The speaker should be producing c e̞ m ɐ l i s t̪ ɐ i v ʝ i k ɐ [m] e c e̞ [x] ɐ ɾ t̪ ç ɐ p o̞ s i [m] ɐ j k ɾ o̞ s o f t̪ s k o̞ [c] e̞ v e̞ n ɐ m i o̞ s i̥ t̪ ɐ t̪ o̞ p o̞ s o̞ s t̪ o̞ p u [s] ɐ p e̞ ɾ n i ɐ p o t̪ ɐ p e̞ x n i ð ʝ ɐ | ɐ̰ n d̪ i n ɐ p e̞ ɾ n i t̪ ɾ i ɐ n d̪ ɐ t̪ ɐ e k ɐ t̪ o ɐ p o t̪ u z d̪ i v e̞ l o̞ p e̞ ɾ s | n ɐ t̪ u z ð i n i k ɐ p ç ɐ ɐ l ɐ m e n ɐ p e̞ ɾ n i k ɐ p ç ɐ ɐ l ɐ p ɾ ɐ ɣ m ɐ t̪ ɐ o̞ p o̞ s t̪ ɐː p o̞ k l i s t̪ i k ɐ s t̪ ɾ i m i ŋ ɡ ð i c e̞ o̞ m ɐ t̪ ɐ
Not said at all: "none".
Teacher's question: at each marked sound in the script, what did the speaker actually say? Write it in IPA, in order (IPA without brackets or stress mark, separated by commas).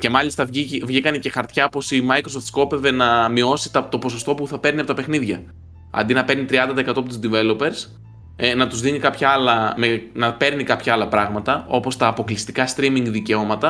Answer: n, x, m, p, θ